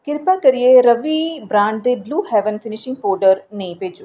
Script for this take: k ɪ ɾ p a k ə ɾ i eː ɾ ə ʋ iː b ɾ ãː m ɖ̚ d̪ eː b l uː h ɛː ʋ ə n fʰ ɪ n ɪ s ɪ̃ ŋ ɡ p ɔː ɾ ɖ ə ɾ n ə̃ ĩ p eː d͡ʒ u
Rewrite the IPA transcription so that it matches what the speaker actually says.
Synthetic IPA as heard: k ɪ ɾ p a k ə ɾ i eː ɾ ə ʋ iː b ɾ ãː ɳ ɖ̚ d̪ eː b l uː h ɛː ʋ ə n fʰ ɪ n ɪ ʃ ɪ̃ ŋ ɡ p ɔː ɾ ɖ ə ɾ n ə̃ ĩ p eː d͡ʒ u